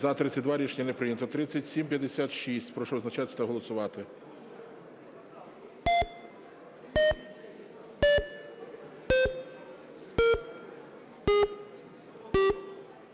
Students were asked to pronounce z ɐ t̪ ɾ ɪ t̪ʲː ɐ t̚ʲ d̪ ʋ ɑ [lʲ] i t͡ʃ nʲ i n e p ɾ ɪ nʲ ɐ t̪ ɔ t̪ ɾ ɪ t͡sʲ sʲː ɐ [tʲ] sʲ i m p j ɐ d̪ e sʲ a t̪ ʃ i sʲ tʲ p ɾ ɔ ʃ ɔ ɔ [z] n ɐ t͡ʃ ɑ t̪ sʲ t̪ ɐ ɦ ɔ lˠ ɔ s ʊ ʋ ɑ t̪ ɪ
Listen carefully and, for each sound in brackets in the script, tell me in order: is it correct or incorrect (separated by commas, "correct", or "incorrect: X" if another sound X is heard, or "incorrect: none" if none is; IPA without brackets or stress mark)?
incorrect: ɾʲ, correct, correct